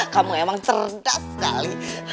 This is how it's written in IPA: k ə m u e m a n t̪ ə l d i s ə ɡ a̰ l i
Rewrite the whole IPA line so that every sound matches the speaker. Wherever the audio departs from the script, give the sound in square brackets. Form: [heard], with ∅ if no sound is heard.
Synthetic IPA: k [a] m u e m a [ŋ] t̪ ə [r] d [a] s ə [k] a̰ l i